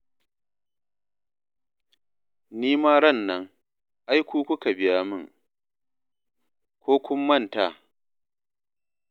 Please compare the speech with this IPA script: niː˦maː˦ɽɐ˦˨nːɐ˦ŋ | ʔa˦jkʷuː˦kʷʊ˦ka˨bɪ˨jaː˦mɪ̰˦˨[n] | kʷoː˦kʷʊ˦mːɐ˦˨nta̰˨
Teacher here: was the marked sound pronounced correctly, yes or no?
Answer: no